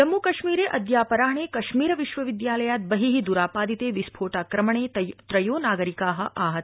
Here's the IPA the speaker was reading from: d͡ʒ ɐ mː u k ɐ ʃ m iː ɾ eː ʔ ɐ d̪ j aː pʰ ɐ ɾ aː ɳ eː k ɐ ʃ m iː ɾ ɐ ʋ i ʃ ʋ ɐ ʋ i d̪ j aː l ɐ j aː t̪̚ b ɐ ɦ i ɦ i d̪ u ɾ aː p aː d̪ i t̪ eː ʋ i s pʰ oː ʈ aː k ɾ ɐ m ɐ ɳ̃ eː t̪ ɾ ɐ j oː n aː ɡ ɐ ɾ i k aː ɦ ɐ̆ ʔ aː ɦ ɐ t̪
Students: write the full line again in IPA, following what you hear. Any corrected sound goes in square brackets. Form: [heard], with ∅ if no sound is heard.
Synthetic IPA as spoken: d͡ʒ ɐ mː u k ɐ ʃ m iː ɾ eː ʔ ɐ d̪ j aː [p] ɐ ɾ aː ɳ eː k ɐ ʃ m iː ɾ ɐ ʋ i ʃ ʋ ɐ ʋ i d̪ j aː l ɐ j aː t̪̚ b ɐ ɦ i ɦ i d̪ u ɾ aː p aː d̪ i t̪ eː ʋ i s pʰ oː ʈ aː k ɾ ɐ m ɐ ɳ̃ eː t̪ ɾ ɐ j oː n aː ɡ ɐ ɾ i k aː ɦ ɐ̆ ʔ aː ɦ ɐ t̪